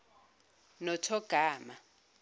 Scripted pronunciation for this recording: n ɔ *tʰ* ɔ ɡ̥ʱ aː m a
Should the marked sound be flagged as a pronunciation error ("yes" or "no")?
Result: no